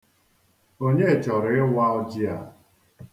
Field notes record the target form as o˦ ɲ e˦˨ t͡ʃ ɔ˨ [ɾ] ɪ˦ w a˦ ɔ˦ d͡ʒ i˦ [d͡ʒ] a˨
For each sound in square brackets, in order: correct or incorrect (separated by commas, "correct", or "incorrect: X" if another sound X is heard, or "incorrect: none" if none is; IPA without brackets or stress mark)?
correct, incorrect: none